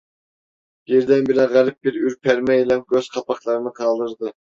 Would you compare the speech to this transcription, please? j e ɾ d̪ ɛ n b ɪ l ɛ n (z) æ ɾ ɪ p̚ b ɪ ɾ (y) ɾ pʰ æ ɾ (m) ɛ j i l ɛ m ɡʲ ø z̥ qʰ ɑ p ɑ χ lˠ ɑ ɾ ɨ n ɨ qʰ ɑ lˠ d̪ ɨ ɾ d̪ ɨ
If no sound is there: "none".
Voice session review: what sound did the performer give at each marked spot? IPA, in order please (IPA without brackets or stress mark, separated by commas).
ʁ, y, m